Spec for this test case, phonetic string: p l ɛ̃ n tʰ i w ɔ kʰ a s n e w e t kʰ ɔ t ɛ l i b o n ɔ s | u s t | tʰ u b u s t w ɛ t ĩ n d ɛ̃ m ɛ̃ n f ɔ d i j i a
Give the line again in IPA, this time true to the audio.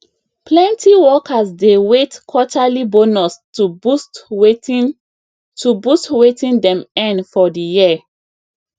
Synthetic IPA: p l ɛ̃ n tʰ i w ɔ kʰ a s d e w e t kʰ ɔ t a l i b o n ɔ s | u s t | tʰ u b u s t w e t ĩ n d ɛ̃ m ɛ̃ n f ɔ d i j i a